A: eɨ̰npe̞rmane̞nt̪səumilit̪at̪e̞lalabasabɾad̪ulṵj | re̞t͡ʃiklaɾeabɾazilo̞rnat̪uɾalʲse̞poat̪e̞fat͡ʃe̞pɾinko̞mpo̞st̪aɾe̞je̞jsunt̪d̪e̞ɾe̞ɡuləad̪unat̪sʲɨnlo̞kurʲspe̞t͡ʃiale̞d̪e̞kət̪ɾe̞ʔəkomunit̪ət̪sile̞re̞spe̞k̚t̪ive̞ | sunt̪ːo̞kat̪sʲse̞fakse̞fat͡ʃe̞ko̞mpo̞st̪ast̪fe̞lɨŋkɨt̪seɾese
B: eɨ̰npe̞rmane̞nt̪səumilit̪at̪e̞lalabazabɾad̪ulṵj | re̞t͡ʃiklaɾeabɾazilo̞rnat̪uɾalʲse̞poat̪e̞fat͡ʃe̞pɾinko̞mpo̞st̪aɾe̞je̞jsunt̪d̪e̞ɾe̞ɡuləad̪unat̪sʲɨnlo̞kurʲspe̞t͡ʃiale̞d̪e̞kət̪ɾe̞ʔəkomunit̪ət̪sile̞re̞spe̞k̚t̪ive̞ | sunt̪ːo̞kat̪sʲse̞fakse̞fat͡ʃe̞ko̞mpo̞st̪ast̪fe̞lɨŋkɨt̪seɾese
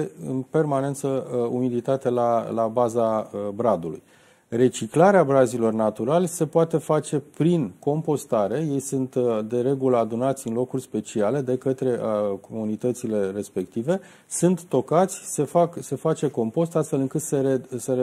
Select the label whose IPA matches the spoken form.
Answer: B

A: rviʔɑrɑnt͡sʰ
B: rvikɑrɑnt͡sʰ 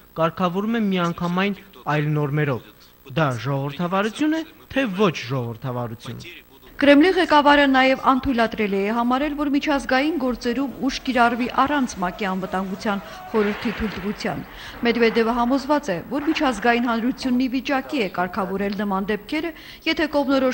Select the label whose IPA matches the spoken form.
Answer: A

